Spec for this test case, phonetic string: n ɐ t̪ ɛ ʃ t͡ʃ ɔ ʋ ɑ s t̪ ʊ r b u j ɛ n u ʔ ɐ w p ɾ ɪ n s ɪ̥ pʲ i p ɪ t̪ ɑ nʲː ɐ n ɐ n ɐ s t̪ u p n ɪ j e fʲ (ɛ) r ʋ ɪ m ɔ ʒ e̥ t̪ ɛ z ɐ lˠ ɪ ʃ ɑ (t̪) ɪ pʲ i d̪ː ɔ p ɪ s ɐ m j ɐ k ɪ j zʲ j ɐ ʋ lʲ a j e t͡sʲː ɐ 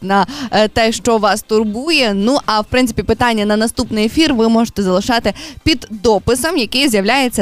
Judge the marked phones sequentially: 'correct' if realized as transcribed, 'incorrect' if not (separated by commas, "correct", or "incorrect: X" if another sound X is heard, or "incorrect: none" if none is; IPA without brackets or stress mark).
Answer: incorrect: i, correct